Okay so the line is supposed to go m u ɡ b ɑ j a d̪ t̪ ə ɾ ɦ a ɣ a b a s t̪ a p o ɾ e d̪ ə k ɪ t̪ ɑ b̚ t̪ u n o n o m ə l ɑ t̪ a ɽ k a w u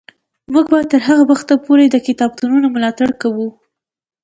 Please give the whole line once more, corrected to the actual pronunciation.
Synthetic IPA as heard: m u ɡ b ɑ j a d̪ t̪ ə ɾ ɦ a ɣ a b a x t̪ a p o ɾ e d̪ ə k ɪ t̪ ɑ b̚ t̪ u n u n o m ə l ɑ t̪ a ɽ k a w u